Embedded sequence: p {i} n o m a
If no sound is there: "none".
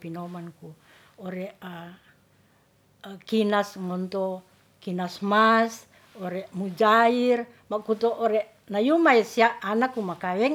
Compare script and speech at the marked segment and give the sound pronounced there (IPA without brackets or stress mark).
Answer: i